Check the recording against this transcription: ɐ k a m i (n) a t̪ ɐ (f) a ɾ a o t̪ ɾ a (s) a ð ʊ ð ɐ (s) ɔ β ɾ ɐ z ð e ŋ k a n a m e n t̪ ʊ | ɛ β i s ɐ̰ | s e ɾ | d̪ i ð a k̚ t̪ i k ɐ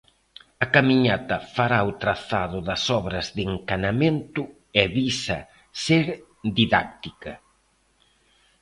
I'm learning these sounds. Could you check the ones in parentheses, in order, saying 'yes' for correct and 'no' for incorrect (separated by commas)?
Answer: no, yes, no, yes